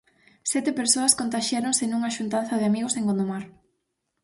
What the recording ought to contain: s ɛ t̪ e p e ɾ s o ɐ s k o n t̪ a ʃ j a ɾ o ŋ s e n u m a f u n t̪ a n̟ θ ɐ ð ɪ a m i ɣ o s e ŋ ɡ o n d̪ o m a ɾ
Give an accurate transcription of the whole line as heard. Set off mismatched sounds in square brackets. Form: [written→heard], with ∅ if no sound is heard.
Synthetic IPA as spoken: s ɛ t̪ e p e ɾ s o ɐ s k o n t̪ a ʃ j a ɾ o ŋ s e n u [m→ŋ] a [f→ʃ] u n t̪ a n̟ θ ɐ ð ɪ a m i ɣ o s e ŋ ɡ o n d̪ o m a ɾ